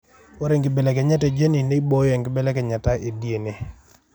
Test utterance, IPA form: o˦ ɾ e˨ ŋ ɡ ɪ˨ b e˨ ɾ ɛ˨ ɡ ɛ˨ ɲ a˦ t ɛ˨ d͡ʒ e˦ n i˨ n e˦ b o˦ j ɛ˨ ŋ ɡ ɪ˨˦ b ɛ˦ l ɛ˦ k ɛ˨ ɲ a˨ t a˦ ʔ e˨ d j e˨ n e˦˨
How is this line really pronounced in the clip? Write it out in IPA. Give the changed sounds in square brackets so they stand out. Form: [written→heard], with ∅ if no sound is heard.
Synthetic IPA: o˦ ɾ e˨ ŋ ɡ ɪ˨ b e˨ [ɾ→l] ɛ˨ [ɡ→k] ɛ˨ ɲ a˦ t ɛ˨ d͡ʒ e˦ n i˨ n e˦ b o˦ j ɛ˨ ŋ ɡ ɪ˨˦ b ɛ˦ l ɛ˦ k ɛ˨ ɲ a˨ t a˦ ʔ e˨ d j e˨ n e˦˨